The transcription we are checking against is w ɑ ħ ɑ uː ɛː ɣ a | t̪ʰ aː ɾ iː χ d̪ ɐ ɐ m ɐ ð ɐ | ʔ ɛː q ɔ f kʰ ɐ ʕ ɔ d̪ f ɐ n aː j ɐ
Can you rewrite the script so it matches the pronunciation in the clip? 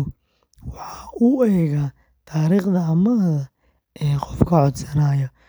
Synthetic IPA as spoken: w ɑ ħ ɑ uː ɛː ɣ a | t̪ʰ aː ɾ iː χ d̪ ɐ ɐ m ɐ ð ɐ | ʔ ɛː q ɔ f kʰ ɐ ʕ ɔ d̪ s ɐ n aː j ɐ